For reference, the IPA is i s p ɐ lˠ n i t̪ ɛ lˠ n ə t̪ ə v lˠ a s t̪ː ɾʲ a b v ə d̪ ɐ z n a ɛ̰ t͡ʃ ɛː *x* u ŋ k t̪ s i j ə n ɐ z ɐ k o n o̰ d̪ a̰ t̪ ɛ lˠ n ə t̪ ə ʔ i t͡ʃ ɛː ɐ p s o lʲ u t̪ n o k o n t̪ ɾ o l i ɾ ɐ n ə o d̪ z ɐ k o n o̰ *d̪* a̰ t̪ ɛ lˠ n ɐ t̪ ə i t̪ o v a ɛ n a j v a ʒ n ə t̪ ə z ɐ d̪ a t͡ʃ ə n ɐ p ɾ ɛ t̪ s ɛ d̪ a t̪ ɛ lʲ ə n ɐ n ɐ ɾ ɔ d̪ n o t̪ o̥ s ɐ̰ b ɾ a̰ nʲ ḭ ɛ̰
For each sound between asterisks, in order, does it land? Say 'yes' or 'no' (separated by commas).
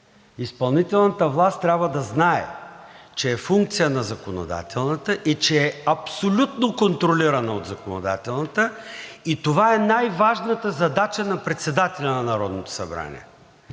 no, yes